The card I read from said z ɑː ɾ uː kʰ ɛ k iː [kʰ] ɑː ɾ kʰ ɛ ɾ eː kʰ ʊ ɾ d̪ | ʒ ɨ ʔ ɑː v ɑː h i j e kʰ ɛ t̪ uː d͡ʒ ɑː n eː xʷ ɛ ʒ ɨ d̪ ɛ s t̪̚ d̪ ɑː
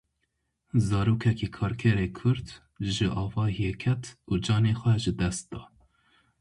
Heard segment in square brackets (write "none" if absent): kʰ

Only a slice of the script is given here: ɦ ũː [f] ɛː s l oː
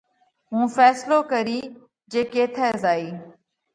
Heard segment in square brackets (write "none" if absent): f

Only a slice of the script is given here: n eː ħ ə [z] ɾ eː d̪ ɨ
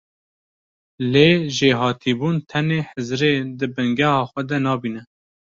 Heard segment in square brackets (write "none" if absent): z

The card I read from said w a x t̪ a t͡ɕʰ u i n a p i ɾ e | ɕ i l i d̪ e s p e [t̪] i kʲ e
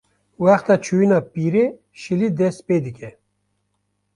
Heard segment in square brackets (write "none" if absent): d̪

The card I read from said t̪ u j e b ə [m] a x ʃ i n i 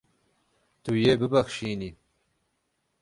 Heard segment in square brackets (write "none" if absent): b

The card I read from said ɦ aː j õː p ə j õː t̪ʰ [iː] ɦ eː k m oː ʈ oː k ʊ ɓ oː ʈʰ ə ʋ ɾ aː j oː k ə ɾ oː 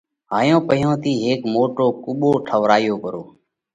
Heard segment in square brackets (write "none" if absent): iː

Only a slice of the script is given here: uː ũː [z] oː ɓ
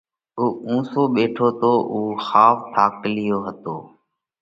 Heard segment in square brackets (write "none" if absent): s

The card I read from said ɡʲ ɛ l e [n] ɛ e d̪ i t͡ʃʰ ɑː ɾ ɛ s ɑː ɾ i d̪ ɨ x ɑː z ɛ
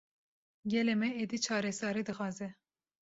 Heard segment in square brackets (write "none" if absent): m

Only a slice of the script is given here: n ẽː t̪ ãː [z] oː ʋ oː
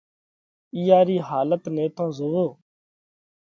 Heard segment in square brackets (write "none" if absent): z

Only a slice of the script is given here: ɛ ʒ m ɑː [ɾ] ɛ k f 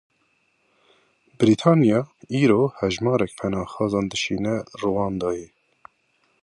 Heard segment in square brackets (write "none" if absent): ɾ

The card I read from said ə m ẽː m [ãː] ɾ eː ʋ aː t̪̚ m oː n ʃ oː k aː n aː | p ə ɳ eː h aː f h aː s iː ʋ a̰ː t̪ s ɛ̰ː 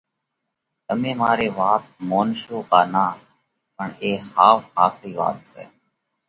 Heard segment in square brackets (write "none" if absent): aː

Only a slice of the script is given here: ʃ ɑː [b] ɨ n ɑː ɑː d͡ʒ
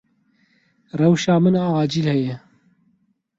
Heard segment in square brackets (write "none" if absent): m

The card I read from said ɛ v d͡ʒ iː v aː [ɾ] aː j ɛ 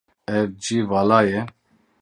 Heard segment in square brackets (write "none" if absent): l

